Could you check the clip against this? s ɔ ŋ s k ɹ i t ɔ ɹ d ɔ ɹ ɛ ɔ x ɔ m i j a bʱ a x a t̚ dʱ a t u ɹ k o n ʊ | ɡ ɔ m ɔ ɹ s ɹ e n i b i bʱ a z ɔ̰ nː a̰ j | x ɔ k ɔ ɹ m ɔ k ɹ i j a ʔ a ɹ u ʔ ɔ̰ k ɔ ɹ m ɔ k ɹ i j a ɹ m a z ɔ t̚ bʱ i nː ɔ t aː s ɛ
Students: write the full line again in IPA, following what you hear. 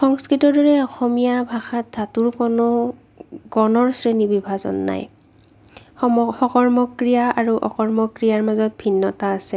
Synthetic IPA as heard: x ɔ ŋ s k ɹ i t ɔ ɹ d ɔ ɹ ɛ ɔ x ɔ m i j a bʱ a x a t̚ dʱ a t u ɹ k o n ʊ | ɡ ɔ n ɔ ɹ s ɹ e n i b i bʱ a z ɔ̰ nː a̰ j | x ɔ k ɔ ɹ m ɔ k ɹ i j a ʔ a ɹ u ʔ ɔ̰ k ɔ ɹ m ɔ k ɹ i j a ɹ m a z ɔ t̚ bʱ i nː ɔ t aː s ɛ